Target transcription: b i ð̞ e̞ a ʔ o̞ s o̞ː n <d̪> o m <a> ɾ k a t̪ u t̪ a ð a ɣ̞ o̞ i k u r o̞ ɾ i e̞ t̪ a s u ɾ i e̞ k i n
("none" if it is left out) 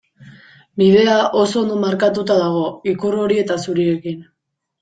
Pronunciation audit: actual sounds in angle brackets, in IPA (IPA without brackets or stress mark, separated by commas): d̪, a